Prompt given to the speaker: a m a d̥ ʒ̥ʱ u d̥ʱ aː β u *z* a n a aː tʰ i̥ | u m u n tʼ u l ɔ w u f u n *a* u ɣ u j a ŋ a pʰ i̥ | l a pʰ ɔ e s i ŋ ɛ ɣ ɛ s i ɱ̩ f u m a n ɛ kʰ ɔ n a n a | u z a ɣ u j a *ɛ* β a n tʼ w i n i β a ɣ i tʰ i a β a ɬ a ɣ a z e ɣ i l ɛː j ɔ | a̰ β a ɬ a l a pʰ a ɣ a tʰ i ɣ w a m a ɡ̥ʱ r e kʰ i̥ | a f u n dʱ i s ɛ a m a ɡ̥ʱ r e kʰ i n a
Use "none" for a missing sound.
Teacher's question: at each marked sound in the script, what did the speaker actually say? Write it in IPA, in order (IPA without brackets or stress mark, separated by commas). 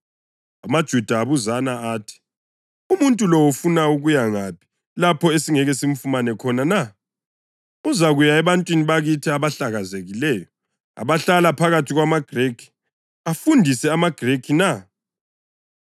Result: z, a, ɛ